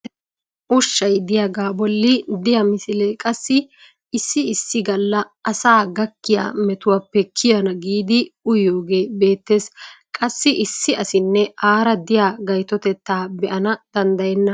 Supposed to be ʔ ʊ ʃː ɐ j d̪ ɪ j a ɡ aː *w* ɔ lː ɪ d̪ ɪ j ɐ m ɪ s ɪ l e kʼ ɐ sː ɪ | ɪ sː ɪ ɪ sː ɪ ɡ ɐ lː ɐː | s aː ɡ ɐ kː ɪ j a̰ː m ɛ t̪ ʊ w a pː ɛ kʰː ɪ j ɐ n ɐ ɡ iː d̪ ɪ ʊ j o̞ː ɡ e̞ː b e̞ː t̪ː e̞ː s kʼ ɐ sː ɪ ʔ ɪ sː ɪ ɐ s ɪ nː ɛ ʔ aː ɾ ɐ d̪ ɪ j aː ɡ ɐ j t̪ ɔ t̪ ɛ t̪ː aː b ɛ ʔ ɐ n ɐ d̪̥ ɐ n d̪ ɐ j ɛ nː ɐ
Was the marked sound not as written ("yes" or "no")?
yes